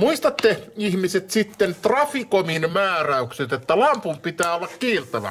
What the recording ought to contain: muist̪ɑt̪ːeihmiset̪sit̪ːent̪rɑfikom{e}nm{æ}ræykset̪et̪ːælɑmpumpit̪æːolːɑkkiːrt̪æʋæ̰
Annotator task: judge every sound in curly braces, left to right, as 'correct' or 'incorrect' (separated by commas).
incorrect, incorrect